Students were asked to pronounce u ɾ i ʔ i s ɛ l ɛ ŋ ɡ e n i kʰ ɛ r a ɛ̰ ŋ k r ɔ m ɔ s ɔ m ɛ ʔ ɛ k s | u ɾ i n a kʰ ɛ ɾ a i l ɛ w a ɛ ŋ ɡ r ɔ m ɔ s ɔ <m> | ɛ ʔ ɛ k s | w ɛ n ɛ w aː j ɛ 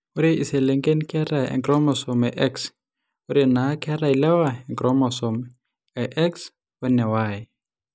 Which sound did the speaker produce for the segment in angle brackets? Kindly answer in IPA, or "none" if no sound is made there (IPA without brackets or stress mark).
m